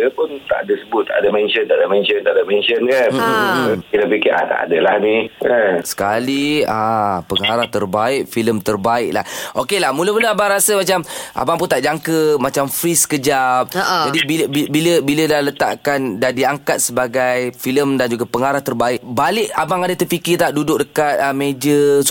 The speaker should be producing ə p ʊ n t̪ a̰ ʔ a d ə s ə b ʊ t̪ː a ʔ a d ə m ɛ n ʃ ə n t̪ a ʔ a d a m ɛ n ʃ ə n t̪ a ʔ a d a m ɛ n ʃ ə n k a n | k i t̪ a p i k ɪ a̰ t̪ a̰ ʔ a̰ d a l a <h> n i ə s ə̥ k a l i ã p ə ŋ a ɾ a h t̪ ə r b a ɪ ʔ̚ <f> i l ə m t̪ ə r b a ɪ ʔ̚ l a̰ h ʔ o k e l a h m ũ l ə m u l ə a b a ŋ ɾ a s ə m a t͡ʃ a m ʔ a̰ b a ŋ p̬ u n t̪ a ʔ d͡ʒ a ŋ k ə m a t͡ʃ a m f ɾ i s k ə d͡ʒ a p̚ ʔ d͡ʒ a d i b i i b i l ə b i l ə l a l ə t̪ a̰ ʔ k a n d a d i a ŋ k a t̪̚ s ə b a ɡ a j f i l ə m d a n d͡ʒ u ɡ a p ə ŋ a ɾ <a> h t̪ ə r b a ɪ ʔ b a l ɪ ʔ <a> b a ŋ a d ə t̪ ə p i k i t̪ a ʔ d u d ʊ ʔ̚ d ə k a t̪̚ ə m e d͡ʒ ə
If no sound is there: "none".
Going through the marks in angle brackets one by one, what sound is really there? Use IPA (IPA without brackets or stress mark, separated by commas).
h, f, a, a